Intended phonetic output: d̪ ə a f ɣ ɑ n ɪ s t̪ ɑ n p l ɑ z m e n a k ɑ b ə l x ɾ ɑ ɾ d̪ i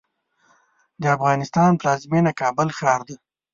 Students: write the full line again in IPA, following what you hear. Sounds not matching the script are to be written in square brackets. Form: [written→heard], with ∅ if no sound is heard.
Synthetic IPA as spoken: d̪ ə a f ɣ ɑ n ɪ s t̪ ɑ n p l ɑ z m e n a k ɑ b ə l x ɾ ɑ ɾ d̪ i